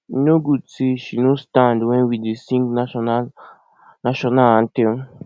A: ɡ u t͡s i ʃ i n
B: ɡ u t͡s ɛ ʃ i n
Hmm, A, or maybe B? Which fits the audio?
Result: A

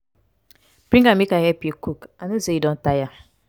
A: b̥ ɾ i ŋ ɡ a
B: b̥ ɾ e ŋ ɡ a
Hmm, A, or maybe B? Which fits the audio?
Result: A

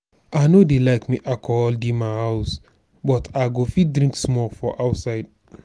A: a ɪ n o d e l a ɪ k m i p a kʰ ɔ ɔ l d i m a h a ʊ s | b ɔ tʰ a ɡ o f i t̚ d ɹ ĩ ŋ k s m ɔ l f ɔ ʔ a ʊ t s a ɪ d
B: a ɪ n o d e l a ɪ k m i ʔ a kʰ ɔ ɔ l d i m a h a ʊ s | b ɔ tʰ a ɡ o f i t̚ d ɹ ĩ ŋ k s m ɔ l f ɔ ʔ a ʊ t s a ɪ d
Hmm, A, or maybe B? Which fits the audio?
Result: B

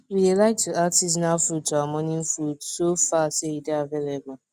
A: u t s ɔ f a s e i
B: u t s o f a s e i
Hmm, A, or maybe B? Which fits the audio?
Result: B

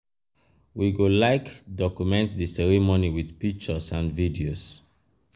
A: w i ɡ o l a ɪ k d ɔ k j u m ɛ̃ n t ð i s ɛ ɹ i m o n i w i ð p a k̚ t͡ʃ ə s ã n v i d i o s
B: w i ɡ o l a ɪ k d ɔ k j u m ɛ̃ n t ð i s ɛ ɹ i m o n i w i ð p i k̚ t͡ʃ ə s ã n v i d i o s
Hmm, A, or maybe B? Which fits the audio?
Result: B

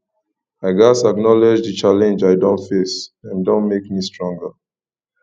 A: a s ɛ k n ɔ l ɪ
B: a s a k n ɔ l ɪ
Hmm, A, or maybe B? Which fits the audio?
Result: B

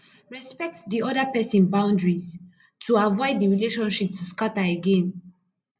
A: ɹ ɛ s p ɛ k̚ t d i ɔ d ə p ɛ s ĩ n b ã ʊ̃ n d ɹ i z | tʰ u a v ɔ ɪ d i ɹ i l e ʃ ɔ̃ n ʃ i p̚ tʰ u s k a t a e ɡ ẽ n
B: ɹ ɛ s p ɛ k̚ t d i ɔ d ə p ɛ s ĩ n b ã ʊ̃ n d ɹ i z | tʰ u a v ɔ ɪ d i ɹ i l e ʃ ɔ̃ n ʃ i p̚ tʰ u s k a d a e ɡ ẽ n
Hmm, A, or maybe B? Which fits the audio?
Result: A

